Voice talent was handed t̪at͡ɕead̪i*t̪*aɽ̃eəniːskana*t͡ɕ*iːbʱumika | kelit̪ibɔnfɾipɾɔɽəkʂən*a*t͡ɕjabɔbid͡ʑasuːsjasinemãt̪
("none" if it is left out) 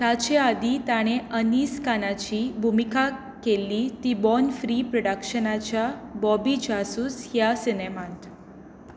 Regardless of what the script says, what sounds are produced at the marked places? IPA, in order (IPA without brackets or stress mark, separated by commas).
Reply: t̪, t͡ɕ, a